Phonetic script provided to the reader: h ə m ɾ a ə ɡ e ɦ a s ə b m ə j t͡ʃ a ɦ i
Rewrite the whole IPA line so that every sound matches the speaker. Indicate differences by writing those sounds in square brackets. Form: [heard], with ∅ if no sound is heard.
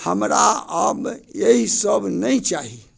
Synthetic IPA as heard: h ə m ɾ a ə [b] e ɦ [i] s ə b [n] ə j t͡ʃ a ɦ i